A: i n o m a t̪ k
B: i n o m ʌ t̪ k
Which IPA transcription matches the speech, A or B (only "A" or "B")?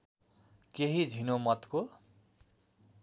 B